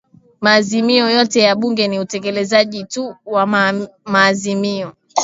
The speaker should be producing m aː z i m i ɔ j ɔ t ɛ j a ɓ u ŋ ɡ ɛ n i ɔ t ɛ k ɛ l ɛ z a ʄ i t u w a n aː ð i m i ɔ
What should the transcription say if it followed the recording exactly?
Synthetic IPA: m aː z i m i ɔ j ɔ t ɛ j a ɓ u ŋ ɡ ɛ n i u t ɛ k ɛ l ɛ z a ʄ i t u w a m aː z i m i ɔ

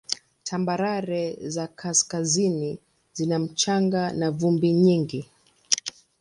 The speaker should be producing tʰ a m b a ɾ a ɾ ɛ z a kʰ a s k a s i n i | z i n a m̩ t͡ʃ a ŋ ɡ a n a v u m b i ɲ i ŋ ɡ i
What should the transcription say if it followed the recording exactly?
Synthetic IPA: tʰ a m b a ɾ a ɾ ɛ z a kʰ a s k a z i n i | z i n a m̩ t͡ʃ a ŋ ɡ a n a v u m b i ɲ i ŋ ɡ i

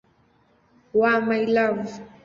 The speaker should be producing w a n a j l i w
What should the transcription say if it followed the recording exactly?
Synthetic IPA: w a m a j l a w

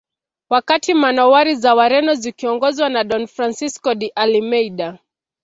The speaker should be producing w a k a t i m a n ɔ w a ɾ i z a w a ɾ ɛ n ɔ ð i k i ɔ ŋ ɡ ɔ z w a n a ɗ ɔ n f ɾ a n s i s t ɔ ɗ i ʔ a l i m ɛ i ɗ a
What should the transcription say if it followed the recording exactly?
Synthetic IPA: w a k a t i m a n ɔ w a ɾ i z a w a ɾ ɛ n ɔ z i k i ɔ ŋ ɡ ɔ z w a n a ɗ ɔ n f ɾ a n s i s k ɔ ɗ i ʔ a l i m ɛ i ɗ a

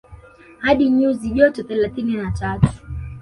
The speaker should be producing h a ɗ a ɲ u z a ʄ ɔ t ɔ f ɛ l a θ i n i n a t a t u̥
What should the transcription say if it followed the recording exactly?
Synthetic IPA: h a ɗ i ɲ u z i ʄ ɔ t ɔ θ ɛ l a θ i n i n a t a t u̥

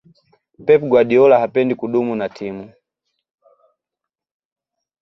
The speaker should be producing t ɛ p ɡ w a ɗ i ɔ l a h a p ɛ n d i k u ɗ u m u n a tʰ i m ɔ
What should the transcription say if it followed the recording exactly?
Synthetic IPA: p ɛ p ɡ w a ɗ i ɔ l a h a p ɛ n d i k u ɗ u m u n a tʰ i m u

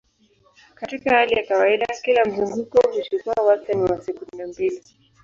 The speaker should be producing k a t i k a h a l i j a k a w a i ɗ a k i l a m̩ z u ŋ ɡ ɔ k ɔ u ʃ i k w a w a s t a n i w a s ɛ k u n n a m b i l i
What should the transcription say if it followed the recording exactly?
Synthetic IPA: k a t i k a h a l i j a k a w a i ɗ a k i l a m̩ z u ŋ ɡ u k ɔ u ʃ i k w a w a s t a n i w a s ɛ k u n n a m b i l i

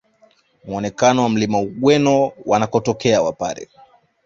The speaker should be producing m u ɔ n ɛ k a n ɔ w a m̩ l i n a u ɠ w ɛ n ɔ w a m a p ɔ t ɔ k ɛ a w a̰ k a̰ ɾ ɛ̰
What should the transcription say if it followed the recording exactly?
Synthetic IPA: m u ɔ n ɛ k a n ɔ w a m̩ l i m a u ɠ w ɛ n ɔ w a n a k ɔ t ɔ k ɛ a w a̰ p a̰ ɾ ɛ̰

